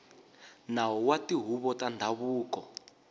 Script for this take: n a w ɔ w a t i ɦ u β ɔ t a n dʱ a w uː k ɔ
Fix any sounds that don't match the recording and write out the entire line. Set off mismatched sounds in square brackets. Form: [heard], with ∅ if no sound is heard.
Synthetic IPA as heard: n a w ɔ w a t i ɦ u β ɔ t a n dʱ a [β] uː k ɔ